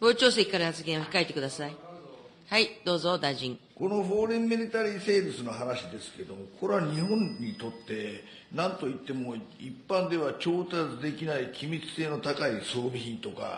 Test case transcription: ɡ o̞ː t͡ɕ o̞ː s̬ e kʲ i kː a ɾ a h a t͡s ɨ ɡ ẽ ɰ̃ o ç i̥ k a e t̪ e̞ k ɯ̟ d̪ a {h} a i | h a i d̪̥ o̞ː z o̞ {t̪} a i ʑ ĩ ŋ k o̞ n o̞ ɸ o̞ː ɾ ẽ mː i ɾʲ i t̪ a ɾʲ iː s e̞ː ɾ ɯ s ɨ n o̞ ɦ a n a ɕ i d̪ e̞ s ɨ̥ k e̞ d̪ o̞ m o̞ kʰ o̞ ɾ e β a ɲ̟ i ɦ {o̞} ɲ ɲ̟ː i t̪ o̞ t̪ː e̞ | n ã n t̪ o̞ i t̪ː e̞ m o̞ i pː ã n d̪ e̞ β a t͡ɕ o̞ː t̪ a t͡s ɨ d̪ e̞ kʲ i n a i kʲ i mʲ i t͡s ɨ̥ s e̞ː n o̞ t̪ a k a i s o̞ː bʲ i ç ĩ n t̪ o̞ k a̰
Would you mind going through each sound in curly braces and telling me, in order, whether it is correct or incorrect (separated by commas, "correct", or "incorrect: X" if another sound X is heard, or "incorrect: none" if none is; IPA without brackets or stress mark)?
incorrect: s, incorrect: d̪, incorrect: õ̞